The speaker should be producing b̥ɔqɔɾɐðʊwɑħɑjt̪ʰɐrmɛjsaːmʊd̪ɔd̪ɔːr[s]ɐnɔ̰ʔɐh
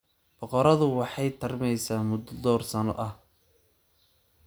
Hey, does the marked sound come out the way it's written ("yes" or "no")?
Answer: yes